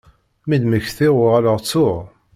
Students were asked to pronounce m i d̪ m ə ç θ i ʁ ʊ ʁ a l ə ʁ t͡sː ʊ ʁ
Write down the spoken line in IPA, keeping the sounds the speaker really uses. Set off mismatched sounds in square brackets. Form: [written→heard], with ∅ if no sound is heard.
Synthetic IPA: m i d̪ m ə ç θ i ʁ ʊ ʁ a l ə ʁ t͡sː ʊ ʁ